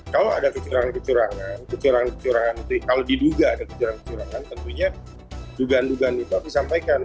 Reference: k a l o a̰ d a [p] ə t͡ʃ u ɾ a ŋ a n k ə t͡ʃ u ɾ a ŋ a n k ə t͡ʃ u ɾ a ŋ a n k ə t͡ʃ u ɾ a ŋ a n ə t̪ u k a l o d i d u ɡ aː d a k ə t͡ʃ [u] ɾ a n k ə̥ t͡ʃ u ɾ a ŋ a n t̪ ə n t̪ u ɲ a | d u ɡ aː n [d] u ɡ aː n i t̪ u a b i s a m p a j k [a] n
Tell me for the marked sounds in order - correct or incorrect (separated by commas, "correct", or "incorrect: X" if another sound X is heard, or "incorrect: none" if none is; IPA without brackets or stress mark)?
incorrect: k, correct, correct, correct